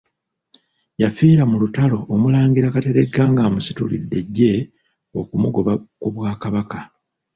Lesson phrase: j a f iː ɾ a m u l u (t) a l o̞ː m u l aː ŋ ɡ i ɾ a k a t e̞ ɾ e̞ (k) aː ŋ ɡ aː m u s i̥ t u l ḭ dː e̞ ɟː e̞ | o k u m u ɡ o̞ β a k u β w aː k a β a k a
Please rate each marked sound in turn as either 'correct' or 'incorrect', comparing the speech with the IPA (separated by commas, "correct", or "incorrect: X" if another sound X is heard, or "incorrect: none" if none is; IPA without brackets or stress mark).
correct, incorrect: ɡ